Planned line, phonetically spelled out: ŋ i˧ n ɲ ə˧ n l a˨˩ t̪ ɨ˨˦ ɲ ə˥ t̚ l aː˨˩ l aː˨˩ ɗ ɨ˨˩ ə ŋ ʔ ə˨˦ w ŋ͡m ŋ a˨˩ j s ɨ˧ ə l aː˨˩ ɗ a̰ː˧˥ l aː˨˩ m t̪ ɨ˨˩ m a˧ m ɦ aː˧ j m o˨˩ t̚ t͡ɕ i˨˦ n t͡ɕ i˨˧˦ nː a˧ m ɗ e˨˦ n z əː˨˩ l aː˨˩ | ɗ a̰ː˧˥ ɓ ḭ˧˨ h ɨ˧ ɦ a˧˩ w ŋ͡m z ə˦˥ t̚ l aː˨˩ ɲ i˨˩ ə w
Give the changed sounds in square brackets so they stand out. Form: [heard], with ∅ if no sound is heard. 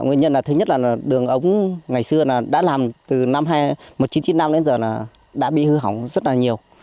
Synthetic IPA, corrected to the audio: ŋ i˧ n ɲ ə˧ n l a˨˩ t̪ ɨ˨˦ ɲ ə˥ t̚ l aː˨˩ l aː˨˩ ɗ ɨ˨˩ ə ŋ ʔ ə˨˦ w ŋ͡m ŋ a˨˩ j s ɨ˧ ə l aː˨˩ ɗ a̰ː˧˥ l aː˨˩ m t̪ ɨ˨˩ [n] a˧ m ɦ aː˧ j m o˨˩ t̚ t͡ɕ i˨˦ n t͡ɕ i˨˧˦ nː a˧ m ɗ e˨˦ n z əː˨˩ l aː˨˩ | ɗ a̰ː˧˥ ɓ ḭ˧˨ h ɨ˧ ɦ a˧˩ w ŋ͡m z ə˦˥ t̚ l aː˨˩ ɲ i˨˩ ə w